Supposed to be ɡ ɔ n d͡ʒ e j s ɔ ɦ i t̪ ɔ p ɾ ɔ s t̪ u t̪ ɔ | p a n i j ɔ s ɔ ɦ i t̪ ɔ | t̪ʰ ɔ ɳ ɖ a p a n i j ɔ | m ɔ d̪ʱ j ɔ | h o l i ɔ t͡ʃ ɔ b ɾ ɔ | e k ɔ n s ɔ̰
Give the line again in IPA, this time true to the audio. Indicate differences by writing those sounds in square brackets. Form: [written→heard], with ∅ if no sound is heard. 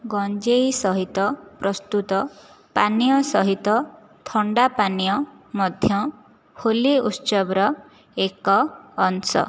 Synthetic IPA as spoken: ɡ ɔ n d͡ʒ e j s ɔ ɦ i t̪ ɔ p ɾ ɔ s t̪ u t̪ ɔ | p a n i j ɔ s ɔ ɦ i t̪ ɔ | t̪ʰ ɔ ɳ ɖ a p a n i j ɔ | m ɔ d̪ʱ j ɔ | h o l i [ɔ→u] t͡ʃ ɔ b ɾ ɔ | e k [ɔ→ɔː] n s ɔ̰